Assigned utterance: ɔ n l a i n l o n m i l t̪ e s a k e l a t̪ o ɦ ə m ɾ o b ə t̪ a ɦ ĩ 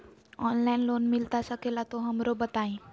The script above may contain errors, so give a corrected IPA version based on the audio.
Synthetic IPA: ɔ n l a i n l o n m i l t̪ a s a k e l a t̪ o ɦ ə m ɾ o b ə t̪ a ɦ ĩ